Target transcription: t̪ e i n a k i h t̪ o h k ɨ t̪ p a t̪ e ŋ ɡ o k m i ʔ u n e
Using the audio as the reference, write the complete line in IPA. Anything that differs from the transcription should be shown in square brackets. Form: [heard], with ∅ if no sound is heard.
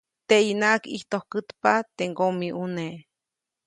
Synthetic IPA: t̪ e i n a k i h t̪ o h k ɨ t̪ p a t̪ e ŋ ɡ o [∅] m i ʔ u n e